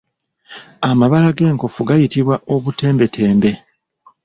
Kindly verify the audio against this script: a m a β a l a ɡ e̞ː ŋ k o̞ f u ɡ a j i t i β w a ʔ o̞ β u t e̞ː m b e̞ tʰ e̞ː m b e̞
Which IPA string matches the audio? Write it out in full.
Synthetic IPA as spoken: a m a β a l a ɡ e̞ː ŋ k o̞ f u ɡ a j i t i β w a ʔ o̞ β u t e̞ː m b e̞ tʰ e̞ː m b e̞